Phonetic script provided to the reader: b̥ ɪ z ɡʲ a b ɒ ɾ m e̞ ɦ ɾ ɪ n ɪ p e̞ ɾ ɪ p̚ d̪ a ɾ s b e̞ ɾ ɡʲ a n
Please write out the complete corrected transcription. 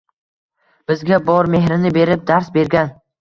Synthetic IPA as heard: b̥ ɪ z ɡʲ a b ɒ ɾ m e̞ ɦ ɾ ɪ n ɪ b e̞ ɾ ɪ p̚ d̪ a ɾ s b e̞ ɾ ɡʲ a n